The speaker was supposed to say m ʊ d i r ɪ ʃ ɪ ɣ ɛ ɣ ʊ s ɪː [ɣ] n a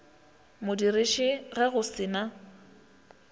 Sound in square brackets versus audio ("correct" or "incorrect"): incorrect